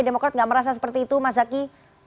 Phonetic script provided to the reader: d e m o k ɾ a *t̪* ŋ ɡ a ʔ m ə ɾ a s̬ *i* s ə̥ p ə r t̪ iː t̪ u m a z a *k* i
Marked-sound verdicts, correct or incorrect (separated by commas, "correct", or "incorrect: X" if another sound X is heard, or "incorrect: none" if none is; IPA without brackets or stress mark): correct, incorrect: a, correct